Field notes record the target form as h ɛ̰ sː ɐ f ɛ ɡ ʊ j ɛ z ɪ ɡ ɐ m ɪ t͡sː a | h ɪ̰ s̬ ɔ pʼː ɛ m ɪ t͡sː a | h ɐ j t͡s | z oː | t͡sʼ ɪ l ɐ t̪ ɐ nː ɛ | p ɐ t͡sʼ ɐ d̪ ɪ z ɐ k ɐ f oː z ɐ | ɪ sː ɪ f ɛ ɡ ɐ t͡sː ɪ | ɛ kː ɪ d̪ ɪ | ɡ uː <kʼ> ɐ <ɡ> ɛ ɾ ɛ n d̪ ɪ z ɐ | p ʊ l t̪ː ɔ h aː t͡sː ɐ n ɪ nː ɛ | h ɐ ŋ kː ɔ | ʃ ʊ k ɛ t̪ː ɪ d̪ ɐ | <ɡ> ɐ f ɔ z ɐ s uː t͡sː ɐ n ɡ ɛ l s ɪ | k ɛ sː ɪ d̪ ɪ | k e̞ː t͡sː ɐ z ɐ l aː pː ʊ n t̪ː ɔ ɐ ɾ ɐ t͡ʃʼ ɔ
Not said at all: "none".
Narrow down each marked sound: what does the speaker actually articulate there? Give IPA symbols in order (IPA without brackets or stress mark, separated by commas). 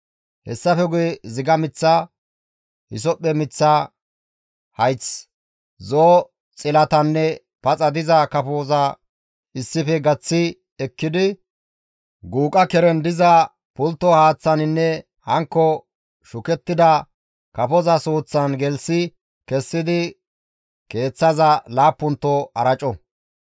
kʼ, k, k